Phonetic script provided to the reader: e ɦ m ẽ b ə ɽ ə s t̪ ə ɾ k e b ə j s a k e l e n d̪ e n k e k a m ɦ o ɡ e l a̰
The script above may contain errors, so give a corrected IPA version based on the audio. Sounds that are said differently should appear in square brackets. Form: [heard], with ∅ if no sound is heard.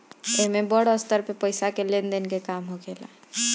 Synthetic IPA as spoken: e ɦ m [e] b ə ɽ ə s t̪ ə ɾ [p] e [p] ə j s a k e l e n d̪ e n k e k a m ɦ o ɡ e l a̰